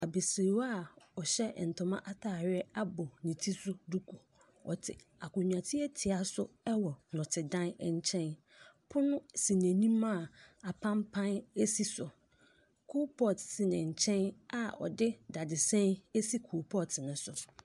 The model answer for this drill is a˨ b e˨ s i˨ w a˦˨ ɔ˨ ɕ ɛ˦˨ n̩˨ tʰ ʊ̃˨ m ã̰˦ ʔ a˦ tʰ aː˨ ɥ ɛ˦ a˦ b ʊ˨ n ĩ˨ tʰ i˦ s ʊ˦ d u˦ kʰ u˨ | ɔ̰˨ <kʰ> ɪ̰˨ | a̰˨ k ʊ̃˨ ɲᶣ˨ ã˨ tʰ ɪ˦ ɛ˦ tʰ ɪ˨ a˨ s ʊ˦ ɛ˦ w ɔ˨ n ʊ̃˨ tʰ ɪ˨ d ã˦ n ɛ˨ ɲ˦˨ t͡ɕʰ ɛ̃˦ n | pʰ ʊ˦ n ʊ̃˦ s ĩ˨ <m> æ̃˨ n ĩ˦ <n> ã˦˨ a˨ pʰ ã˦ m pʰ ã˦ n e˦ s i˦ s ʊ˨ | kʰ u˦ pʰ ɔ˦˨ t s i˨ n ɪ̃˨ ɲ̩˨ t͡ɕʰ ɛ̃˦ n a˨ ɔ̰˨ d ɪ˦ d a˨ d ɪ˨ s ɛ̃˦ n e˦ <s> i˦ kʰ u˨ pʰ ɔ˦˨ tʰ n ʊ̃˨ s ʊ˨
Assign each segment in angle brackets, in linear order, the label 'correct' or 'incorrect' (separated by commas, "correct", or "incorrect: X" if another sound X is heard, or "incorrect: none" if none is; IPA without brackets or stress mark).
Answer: incorrect: tʰ, incorrect: n, incorrect: m, correct